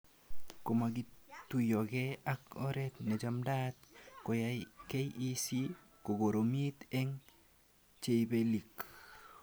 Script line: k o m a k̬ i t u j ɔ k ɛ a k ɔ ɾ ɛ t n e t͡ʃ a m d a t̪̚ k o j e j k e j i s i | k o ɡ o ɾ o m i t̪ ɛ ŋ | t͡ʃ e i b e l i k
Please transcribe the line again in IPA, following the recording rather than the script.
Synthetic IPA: k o m a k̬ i t u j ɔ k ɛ a k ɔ ɾ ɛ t n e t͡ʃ a m d a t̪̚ k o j a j k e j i s i | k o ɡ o ɾ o m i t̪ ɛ ŋ | t͡ʃ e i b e l i k